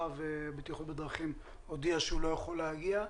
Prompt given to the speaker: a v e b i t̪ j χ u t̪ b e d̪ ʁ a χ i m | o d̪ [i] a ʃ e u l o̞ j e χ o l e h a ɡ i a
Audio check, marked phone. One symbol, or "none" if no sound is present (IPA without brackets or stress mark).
i